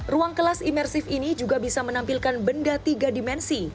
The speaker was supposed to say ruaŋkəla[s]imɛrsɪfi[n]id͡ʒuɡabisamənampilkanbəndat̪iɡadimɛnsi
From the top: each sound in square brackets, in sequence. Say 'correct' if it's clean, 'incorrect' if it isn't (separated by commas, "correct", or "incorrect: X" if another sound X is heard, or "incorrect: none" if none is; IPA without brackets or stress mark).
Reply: correct, correct